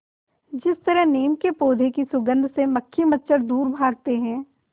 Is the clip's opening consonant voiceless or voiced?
voiced